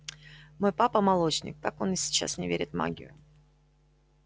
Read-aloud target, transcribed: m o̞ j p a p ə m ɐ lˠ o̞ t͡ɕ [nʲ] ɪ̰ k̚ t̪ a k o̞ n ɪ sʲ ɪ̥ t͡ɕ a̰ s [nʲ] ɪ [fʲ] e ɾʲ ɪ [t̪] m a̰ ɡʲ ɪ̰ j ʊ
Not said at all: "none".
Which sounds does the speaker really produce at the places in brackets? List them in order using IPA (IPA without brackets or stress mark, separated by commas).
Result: nʲ, nʲ, vʲ, t̪